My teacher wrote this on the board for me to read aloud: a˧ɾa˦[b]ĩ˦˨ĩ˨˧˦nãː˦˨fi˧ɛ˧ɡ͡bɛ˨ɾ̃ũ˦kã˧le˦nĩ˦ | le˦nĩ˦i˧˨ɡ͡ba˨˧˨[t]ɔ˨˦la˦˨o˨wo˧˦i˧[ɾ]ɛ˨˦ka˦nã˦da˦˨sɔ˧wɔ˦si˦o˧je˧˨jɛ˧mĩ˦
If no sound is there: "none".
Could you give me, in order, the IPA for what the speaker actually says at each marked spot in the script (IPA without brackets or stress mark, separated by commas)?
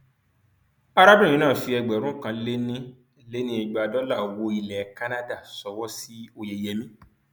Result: b, d, l